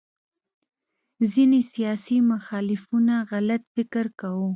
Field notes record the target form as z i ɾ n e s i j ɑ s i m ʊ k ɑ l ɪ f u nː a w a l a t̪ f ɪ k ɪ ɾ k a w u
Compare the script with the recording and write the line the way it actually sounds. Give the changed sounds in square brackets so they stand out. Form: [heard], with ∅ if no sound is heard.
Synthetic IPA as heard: z i [∅] n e s i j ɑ s i m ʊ [x] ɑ l ɪ f u [n] a [ɣ] a l a t̪ f ɪ k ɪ ɾ k a w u